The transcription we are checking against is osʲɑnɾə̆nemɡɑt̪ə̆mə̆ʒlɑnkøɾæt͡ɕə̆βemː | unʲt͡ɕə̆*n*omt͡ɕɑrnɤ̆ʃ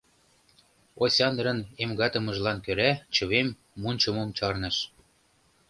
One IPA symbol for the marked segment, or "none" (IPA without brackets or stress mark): m